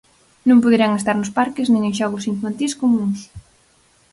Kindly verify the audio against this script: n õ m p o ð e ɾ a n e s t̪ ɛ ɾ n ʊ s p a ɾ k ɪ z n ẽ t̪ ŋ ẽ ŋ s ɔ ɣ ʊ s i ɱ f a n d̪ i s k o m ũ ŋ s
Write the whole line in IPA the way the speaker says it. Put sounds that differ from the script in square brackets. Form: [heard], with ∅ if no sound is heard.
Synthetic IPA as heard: n õ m p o ð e ɾ a [ŋ] e s t̪ [a] ɾ n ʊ s p a ɾ k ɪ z n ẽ [∅] ŋ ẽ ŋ [ʃ] ɔ ɣ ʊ s i ɱ f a n [t̪] i s k o m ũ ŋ s